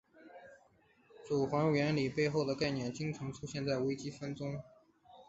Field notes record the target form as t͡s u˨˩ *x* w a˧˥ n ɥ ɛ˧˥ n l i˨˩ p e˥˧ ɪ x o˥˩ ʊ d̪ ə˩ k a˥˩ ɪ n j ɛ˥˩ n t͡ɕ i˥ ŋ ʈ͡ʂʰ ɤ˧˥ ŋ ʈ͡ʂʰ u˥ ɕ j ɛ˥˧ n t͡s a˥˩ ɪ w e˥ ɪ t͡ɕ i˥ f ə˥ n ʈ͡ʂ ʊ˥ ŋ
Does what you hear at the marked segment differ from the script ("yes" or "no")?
no